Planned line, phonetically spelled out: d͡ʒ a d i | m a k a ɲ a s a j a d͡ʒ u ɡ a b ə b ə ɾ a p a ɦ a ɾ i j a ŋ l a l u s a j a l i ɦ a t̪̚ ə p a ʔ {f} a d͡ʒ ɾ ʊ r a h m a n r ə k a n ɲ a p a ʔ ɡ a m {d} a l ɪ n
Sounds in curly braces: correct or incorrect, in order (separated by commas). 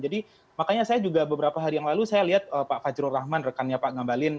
correct, incorrect